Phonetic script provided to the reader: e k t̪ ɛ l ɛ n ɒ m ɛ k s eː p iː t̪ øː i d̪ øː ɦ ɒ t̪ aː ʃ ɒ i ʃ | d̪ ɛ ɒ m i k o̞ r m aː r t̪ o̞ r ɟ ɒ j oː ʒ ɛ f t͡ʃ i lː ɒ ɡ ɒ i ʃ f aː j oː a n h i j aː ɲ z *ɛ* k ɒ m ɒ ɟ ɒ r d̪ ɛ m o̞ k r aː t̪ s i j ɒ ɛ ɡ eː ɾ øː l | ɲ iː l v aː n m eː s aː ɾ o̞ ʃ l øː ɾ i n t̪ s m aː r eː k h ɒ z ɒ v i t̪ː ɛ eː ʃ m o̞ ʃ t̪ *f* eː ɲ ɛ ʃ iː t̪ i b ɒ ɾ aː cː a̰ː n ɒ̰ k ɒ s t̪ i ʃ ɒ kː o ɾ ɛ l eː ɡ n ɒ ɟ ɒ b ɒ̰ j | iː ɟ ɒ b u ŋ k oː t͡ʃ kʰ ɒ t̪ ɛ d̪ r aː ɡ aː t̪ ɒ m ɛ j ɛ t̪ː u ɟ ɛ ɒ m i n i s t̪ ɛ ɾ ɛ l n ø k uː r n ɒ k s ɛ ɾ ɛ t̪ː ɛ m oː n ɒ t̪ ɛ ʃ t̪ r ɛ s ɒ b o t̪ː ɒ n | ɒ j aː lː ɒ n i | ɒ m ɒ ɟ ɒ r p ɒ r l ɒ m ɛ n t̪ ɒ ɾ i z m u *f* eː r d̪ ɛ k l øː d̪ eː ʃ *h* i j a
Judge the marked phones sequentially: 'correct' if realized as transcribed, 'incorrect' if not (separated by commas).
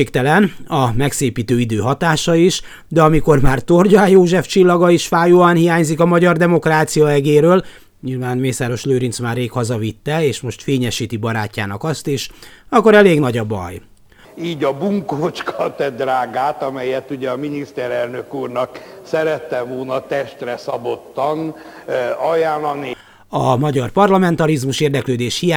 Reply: incorrect, correct, incorrect, correct